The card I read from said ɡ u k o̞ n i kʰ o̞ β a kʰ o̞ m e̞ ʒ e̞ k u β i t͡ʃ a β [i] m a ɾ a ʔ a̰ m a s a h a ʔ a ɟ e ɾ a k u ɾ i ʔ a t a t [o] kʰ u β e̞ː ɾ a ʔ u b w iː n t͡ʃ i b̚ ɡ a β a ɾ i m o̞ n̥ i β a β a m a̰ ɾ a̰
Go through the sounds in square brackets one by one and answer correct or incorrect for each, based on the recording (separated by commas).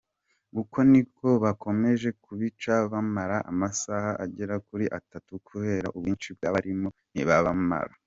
incorrect, incorrect